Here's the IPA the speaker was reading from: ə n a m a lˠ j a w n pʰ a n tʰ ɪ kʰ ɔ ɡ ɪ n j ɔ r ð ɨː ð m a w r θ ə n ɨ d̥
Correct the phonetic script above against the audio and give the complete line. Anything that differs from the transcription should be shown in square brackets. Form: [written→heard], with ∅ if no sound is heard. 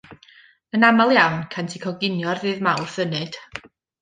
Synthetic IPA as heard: ə n a m a lˠ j a w n [pʰ→kʰ] a n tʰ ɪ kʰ ɔ ɡ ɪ n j ɔ r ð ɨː ð m a w r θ ə n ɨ d̥

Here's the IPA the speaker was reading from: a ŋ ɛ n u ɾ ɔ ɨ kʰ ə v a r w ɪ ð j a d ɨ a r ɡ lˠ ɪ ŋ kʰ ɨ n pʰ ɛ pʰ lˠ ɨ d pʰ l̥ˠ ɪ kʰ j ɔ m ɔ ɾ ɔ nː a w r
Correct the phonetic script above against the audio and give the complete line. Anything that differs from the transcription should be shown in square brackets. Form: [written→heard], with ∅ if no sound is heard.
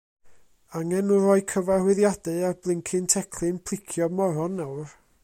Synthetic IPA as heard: a ŋ ɛ n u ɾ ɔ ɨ kʰ ə v a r w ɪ ð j a d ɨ a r [ɡ→b] lˠ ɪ ŋ kʰ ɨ n [pʰ→tʰ] ɛ [pʰ→kʰ] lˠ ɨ [d→n] pʰ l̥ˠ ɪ kʰ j ɔ m ɔ ɾ ɔ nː a w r

